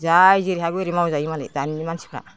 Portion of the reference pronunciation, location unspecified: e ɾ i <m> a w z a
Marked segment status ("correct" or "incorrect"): correct